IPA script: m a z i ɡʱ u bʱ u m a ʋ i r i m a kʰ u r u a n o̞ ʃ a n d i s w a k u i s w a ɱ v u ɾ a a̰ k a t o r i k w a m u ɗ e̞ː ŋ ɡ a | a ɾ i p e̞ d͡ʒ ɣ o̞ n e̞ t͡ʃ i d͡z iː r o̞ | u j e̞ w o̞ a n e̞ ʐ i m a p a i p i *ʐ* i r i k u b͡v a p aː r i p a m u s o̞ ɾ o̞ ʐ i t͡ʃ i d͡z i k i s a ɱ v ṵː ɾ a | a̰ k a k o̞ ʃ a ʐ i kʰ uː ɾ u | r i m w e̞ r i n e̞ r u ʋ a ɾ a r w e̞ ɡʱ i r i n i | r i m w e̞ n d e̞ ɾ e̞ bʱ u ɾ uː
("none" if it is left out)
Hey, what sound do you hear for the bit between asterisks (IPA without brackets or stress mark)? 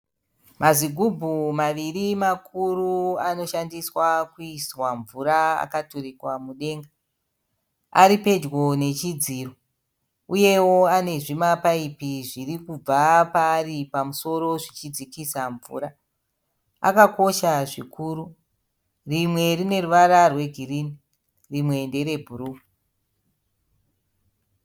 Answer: ʐ